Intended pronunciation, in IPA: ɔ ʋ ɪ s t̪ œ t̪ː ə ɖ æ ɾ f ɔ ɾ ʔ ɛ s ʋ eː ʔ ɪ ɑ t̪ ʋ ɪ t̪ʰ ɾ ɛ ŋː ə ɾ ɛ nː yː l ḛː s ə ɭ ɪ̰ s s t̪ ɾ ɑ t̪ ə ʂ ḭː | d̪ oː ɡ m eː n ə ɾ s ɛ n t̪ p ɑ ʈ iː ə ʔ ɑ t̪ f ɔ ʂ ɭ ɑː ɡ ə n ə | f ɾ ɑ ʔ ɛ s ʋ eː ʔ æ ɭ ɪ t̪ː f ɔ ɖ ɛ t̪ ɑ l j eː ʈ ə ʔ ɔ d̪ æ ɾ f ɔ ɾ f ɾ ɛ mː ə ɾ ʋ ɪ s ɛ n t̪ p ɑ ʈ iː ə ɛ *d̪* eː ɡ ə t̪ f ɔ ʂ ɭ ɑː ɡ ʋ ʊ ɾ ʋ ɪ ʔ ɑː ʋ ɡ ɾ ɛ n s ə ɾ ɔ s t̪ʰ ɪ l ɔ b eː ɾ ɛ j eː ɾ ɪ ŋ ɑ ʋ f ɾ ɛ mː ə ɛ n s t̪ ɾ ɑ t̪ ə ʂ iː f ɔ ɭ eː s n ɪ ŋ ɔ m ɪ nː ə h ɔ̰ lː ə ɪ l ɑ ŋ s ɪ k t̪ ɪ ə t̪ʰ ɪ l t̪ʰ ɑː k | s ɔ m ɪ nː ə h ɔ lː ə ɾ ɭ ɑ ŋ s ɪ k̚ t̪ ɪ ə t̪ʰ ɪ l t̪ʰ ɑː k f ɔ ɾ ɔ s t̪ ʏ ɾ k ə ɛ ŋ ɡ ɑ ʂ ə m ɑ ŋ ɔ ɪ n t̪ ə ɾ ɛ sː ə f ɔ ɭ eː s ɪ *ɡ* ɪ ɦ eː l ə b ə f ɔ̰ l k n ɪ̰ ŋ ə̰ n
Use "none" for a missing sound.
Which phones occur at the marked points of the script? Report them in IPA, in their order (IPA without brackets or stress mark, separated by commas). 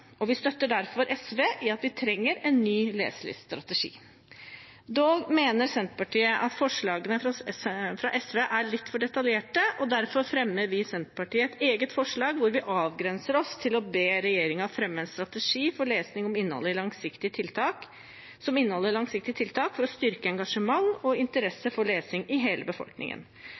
t̪, ŋ